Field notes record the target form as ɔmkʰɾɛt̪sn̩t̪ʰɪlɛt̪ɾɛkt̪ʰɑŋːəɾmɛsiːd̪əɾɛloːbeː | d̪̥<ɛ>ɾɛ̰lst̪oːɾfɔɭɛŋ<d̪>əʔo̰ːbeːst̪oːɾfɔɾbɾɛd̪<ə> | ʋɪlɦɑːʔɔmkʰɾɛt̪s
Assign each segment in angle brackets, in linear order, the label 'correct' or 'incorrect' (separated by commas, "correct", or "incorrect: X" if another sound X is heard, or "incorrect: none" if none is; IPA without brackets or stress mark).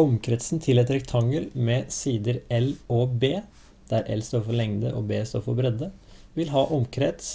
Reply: incorrect: æ, correct, correct